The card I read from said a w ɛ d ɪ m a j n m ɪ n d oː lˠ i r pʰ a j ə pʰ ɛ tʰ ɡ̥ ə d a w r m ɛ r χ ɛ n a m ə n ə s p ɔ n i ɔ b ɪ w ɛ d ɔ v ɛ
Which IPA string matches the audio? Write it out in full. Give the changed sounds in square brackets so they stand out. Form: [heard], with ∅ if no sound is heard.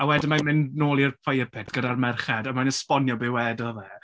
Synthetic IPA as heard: a w ɛ d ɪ m a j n m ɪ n [n] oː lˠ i r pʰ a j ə pʰ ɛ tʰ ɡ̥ ə d a [∅] r m ɛ r χ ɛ [d] a m [a] n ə s p ɔ n [j] ɔ b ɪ w ɛ d ɔ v ɛ